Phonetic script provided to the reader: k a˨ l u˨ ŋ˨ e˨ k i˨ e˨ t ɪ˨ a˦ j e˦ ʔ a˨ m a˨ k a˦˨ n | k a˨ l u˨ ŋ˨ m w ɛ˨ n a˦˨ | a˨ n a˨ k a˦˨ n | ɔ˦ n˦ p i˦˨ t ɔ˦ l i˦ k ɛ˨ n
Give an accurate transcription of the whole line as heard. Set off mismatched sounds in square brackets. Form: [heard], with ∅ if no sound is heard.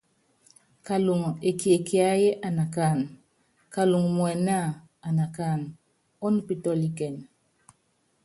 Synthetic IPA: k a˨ l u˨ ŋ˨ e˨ k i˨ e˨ [k] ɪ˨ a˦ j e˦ ʔ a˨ [n] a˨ k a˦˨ n | k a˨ l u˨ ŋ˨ m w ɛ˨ n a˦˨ | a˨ n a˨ k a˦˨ n | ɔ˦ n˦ p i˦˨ t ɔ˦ l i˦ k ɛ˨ n